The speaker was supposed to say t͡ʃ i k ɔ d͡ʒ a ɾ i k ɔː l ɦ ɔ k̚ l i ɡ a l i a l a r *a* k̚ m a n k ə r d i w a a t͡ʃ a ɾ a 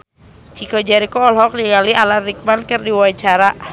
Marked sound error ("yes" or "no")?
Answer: yes